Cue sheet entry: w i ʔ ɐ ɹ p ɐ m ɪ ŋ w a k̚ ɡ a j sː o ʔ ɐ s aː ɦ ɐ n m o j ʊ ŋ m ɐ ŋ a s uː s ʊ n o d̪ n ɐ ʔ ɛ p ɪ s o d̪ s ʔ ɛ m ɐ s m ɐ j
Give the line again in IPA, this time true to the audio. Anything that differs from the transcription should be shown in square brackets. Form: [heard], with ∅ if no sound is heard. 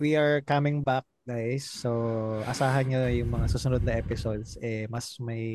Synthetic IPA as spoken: w i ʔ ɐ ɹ [k] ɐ m ɪ ŋ [b] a k̚ ɡ a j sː o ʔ ɐ s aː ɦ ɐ n [ɲ] o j ʊ ŋ m ɐ ŋ a s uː s ʊ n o d̪ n ɐ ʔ ɛ p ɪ s o d̪ s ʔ ɛ m ɐ s m ɐ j